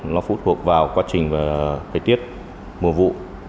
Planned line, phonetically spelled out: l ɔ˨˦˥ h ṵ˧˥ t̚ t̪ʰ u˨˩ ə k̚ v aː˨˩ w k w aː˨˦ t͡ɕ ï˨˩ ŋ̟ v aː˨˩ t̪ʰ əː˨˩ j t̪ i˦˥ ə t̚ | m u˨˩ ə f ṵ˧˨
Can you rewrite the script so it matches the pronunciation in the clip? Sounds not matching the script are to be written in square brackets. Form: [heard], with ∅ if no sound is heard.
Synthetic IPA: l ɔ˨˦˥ [f] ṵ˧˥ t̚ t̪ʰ u˨˩ ə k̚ v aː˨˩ w k w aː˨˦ t͡ɕ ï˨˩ ŋ̟ v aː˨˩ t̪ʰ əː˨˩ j t̪ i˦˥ ə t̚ | m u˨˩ ə [v] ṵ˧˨